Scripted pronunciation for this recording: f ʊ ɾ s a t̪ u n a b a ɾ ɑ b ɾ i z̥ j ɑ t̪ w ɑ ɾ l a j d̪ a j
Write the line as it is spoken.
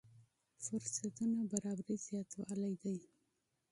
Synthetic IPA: f ʊ ɾ s a t̪ u n a b a ɾ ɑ b ɾ i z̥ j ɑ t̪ w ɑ l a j d̪ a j